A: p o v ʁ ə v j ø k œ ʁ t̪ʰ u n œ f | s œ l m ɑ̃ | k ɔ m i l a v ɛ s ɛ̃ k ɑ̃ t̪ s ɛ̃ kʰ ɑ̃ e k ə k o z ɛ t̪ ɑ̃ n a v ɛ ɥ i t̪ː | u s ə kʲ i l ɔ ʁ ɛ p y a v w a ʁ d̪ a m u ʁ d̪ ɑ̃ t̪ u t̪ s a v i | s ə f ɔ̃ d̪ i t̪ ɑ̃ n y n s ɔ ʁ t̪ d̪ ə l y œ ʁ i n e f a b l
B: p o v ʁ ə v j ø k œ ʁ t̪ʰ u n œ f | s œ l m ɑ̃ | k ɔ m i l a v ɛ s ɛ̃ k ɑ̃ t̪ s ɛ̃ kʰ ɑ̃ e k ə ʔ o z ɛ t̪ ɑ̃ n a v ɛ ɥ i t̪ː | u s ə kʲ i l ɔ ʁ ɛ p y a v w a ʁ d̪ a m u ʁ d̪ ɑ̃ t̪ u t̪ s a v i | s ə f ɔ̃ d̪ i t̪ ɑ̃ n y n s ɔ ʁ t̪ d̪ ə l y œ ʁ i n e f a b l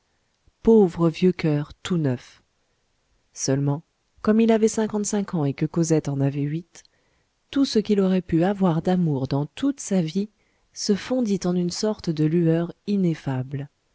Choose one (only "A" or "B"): A